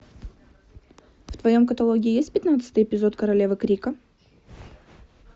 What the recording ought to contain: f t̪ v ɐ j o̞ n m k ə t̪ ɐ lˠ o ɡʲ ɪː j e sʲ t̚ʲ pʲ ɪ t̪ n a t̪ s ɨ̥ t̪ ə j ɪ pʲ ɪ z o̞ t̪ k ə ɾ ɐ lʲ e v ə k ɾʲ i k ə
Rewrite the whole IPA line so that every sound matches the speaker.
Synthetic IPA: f t̪ v ɐ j o̞ m k ə t̪ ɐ lˠ o ɡʲ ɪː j e sʲ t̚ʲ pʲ ɪ t̪ n a t̪ s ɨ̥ t̪ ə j ɪ pʲ ɪ z o̞ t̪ k ə ɾ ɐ lʲ e v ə k ɾʲ i k ə